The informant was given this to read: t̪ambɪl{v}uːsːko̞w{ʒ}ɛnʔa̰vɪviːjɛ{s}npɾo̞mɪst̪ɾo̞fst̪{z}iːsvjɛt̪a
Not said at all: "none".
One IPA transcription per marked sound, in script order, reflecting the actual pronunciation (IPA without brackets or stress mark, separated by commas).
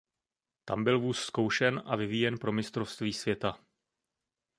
v, ʃ, none, v